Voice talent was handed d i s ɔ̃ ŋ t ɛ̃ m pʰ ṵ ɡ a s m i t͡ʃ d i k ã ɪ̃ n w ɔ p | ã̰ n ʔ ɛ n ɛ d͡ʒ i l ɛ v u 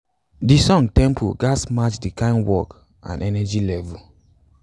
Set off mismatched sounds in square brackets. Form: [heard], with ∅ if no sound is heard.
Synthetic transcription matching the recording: d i s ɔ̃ ŋ t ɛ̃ m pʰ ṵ ɡ a s m [a] t͡ʃ d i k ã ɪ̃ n w ɔ [k] | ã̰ n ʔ ɛ n ɛ d͡ʒ i l ɛ v u

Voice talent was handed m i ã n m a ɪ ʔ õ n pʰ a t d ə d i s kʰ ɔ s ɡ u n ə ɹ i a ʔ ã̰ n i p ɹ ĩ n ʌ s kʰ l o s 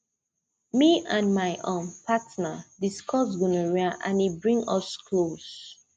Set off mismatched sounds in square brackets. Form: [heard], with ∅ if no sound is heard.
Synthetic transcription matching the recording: m i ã n m a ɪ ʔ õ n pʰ a t [n] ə d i s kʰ ɔ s ɡ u n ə ɹ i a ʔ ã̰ n i [b] ɹ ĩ [ŋ] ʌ s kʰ l o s

